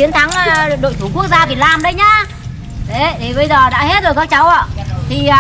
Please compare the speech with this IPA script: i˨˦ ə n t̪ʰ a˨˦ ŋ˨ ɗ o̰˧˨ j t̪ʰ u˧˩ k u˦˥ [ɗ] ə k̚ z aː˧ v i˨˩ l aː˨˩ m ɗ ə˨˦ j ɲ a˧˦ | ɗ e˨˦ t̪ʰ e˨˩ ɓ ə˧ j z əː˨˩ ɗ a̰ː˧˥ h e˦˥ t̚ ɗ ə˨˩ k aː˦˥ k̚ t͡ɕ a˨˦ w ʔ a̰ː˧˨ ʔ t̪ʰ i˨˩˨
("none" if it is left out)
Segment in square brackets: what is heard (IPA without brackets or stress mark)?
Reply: none